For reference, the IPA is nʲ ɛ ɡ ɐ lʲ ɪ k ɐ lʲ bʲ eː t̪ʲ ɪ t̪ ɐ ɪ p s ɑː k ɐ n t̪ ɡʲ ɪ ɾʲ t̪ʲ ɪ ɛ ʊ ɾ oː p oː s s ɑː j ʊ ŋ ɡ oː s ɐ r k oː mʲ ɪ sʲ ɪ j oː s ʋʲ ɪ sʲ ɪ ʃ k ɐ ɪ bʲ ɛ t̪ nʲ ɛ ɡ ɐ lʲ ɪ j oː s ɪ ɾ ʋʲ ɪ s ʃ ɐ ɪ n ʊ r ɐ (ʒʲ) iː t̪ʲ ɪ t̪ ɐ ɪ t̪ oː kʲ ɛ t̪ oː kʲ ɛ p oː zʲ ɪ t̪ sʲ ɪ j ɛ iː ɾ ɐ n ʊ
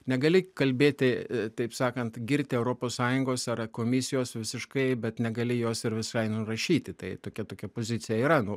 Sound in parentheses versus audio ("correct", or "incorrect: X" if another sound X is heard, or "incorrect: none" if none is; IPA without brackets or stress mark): incorrect: ʃʲ